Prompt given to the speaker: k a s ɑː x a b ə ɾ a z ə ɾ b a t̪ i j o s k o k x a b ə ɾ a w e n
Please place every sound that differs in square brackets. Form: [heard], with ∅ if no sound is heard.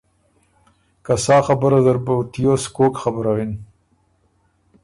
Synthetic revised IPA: k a s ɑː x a b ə ɾ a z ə ɾ b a t̪ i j o s k o k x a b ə ɾ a w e n